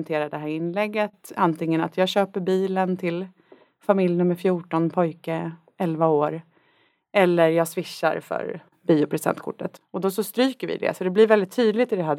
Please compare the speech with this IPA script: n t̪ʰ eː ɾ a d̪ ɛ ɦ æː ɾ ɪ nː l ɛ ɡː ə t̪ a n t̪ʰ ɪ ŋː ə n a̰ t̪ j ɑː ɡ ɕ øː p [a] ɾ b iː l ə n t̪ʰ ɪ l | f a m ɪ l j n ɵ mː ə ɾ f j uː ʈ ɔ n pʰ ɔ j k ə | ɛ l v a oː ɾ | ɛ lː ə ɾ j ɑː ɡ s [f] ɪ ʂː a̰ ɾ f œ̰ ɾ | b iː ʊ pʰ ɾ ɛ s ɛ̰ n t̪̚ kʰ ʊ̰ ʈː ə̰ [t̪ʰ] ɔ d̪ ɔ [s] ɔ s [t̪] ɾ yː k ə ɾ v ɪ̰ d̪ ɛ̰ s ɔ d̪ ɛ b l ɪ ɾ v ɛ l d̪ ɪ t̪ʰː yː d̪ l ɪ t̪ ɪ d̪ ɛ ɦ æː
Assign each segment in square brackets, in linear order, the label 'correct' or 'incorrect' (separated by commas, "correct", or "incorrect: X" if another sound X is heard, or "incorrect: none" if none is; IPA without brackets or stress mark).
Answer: incorrect: ə, incorrect: v, incorrect: t̪, correct, correct